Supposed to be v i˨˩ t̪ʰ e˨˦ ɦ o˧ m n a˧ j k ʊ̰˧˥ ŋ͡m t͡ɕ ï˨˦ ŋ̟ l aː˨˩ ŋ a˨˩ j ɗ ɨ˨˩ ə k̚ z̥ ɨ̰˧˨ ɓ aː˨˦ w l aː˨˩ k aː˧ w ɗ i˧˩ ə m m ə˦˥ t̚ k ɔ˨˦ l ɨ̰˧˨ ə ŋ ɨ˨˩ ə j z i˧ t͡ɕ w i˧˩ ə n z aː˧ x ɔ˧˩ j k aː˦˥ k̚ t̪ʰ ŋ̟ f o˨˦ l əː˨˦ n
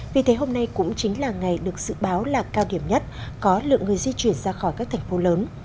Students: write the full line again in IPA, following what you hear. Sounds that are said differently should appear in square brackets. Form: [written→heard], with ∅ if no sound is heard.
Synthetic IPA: v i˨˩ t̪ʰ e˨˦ ɦ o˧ m n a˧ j k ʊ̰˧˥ ŋ͡m t͡ɕ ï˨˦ ŋ̟ l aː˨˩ ŋ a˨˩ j ɗ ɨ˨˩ ə k̚ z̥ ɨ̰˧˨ ɓ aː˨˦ w l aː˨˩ k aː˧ w ɗ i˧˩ ə m [m→ɲ] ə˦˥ t̚ k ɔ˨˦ l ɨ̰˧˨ ə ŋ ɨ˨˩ ə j z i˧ t͡ɕ w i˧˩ ə n z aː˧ x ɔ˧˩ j k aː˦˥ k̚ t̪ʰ ŋ̟ f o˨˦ l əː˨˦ n